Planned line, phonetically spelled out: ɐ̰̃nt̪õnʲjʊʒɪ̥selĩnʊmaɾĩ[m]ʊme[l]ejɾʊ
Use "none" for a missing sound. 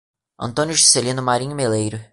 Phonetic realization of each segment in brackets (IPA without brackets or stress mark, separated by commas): ɲ, l